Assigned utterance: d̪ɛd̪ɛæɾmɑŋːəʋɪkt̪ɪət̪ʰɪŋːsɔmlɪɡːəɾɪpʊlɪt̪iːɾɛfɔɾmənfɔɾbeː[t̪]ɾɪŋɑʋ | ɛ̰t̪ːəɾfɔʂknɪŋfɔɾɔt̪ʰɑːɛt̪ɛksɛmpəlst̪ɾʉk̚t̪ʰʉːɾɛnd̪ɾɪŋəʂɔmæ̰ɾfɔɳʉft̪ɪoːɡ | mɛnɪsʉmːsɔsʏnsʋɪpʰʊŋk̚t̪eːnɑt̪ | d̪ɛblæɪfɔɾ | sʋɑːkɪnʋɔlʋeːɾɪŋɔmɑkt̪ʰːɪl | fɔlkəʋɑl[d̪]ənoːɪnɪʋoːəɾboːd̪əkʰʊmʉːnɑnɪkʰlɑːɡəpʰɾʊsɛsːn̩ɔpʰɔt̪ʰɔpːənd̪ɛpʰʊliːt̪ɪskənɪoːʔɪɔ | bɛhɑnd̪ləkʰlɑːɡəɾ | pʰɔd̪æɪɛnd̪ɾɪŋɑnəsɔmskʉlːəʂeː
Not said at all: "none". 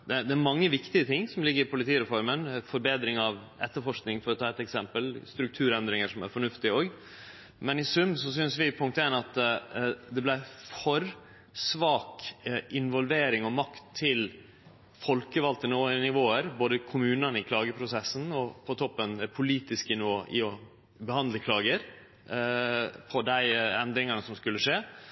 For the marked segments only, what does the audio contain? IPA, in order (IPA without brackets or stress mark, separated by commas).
d̪, t̪